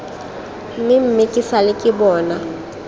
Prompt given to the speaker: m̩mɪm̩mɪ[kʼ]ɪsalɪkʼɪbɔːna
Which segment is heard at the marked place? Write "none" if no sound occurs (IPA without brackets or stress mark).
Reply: kʼ